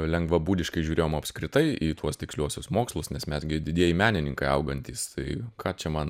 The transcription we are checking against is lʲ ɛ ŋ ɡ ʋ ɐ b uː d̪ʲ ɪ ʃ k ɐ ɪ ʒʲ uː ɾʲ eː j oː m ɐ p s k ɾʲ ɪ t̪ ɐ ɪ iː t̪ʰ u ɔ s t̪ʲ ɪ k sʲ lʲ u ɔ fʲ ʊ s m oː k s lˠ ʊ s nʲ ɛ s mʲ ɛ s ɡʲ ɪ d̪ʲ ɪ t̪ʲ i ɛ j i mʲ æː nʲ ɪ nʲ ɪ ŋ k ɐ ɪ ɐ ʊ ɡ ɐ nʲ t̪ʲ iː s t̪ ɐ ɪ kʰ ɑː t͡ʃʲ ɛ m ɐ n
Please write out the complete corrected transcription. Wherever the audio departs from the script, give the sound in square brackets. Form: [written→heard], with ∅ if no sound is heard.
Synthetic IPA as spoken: lʲ ɛ ŋ ɡ ʋ ɐ b uː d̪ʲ ɪ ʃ k ɐ ɪ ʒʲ uː ɾʲ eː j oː m ɐ p s k ɾʲ ɪ t̪ ɐ ɪ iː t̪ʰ u ɔ s t̪ʲ ɪ k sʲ lʲ u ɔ [fʲ→sʲ] ʊ s m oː k s lˠ ʊ s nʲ ɛ s mʲ ɛ s ɡʲ ɪ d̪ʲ ɪ [t̪ʲ→d̪ʲ] i ɛ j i mʲ æː nʲ ɪ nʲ ɪ ŋ k ɐ ɪ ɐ ʊ ɡ ɐ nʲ t̪ʲ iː s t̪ ɐ ɪ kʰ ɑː t͡ʃʲ ɛ m ɐ n